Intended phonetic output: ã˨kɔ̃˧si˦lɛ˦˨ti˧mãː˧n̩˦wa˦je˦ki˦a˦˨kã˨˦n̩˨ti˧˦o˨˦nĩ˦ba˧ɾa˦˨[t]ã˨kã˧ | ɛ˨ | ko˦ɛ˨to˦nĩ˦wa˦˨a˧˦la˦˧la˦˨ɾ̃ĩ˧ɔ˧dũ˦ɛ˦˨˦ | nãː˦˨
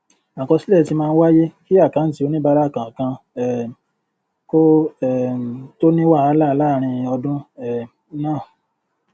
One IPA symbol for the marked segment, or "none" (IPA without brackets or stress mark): k